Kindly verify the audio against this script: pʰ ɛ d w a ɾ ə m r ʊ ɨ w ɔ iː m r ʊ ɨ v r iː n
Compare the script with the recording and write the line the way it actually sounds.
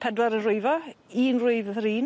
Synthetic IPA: pʰ ɛ d w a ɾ ə n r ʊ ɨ v ɔ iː n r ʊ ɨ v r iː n